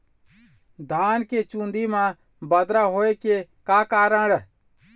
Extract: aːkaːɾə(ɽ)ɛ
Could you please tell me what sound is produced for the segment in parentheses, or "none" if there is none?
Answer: ɽ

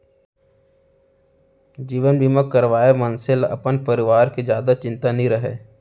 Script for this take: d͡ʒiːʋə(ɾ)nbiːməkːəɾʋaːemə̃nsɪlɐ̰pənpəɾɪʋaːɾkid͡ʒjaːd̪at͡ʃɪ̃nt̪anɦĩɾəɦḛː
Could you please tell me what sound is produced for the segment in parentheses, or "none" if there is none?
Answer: none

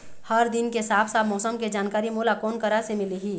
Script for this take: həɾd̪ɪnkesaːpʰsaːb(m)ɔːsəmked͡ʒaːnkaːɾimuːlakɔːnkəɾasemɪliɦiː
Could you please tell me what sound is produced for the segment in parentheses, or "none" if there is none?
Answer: m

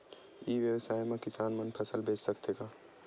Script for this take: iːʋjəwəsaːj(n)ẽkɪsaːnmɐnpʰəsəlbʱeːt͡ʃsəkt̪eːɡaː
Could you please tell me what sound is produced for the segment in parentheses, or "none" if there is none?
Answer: m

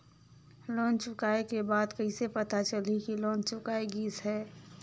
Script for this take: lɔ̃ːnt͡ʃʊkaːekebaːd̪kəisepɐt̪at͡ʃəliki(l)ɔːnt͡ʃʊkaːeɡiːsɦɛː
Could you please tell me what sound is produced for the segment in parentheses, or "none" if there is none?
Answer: l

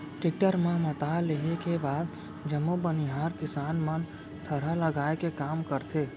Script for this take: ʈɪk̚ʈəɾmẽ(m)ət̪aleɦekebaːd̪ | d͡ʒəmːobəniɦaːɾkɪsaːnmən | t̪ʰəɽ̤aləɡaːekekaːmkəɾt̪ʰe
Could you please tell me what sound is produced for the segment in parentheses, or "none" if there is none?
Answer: m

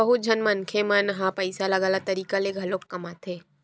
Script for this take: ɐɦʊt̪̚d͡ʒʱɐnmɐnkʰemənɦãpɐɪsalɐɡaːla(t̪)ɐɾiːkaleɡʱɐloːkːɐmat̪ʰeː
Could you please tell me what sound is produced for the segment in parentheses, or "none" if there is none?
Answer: t̪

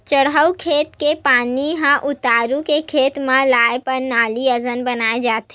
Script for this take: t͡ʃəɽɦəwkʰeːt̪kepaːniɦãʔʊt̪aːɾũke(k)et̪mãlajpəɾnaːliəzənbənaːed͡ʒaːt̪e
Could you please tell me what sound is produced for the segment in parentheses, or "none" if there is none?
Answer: kʰ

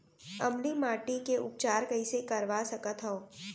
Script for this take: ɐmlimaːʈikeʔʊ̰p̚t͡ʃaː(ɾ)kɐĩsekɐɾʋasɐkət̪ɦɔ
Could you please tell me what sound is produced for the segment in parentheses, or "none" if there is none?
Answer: ɾ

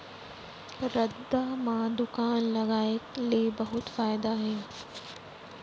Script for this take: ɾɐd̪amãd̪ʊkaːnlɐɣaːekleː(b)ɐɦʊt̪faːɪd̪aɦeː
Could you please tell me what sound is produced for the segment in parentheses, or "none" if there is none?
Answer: b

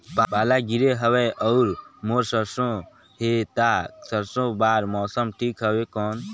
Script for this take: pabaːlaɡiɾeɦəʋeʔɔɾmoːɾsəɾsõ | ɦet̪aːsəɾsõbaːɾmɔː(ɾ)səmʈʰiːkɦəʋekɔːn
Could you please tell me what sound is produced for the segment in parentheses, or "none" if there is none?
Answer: none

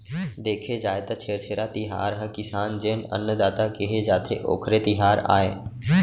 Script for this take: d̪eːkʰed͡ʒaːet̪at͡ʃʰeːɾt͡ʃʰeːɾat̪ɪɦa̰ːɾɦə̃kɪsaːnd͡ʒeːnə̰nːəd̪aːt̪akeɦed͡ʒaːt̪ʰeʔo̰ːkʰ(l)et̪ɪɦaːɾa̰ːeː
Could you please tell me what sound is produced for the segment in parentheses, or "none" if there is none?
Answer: ɾ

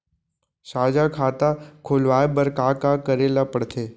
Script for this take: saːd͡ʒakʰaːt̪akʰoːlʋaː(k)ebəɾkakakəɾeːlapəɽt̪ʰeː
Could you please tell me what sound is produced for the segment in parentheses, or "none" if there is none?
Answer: none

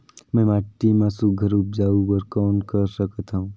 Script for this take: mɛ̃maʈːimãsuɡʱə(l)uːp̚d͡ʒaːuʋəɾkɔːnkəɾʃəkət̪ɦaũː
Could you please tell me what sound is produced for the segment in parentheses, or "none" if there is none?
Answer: ɾ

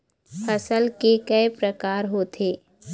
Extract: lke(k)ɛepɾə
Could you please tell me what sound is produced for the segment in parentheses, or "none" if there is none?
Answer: k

